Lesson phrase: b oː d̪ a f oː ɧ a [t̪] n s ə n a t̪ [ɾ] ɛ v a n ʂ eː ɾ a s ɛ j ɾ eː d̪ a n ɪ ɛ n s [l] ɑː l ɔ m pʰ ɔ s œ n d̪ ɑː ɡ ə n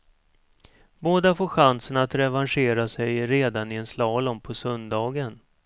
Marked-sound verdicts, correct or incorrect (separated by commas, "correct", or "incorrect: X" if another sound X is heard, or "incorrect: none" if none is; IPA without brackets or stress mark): incorrect: none, correct, correct